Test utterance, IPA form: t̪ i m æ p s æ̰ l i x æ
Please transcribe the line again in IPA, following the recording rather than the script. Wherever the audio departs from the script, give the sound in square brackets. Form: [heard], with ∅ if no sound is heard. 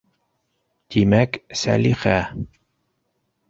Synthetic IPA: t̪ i m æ [k] s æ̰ l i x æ